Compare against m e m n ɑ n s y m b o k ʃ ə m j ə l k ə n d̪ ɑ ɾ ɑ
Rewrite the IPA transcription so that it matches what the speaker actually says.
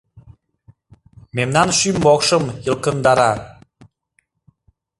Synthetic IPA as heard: m e m n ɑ n ʃ y m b o k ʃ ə m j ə l k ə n d̪ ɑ ɾ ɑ